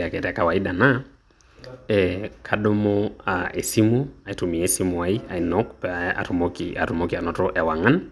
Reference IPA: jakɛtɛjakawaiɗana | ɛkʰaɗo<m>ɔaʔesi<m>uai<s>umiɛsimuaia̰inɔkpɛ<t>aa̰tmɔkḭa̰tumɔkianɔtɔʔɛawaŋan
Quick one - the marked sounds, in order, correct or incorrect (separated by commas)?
correct, correct, incorrect, incorrect